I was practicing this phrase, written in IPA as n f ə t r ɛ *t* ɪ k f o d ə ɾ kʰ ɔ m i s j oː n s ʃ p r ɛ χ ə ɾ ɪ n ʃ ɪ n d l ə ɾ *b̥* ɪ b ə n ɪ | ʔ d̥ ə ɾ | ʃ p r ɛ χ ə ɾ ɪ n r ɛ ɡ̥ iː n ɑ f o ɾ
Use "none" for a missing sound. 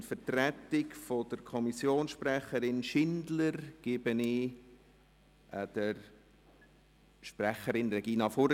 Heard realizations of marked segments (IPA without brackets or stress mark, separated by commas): t, ɡ̥